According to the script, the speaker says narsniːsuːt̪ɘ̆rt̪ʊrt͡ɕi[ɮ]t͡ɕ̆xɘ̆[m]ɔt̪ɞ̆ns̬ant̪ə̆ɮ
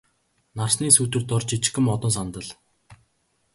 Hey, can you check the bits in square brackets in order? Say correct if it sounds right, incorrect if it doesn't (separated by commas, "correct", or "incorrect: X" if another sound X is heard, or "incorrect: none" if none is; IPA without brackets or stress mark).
incorrect: none, correct